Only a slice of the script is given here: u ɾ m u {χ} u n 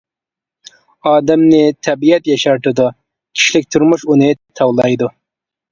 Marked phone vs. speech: incorrect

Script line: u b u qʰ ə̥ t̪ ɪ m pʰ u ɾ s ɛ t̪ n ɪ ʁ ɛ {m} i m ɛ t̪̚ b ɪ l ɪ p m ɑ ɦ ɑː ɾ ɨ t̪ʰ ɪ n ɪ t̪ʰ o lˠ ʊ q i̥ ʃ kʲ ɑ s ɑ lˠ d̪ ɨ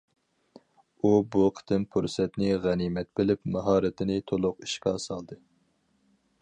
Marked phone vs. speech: incorrect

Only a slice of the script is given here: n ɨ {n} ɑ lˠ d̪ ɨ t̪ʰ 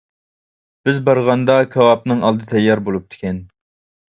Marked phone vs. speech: incorrect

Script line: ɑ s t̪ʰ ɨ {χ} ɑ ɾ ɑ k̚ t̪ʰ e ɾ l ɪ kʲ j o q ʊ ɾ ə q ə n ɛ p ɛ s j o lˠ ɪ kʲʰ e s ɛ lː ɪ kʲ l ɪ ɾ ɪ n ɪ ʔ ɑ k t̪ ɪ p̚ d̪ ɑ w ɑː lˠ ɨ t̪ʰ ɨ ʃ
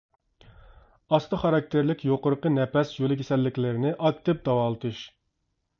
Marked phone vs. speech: correct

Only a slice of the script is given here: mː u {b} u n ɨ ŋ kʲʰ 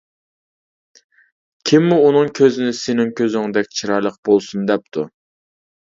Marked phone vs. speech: incorrect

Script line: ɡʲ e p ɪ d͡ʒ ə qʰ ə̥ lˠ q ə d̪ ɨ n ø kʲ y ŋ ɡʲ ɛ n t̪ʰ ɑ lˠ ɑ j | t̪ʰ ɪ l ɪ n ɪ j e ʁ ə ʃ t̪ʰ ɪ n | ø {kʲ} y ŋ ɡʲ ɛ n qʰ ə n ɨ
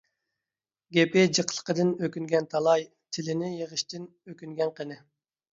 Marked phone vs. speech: correct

